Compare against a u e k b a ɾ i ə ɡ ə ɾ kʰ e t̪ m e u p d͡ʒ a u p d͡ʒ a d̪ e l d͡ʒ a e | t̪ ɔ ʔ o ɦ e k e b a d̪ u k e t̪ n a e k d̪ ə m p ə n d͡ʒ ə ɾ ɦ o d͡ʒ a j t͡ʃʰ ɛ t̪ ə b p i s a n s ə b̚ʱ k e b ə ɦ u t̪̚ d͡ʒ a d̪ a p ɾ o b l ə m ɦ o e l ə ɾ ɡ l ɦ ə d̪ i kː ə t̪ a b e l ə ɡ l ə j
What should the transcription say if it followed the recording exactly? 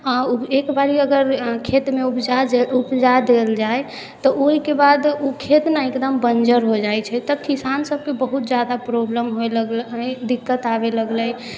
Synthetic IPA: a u e k b a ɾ i ə ɡ ə ɾ kʰ e t̪ m e u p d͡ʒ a u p d͡ʒ a d̪ e l d͡ʒ a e | t̪ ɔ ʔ o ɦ i k e b a d̪ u kʰ e t̪ n a e k d̪ ə m b ə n d͡ʒ ə ɾ ɦ o d͡ʒ a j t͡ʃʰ ɛ t̪ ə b k i s a n s ə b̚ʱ k e b ə ɦ u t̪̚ d͡ʒ a d̪ a p ɾ o b l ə m ɦ o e l ə ɡ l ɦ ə d̪ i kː ə t̪ a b e l ə ɡ l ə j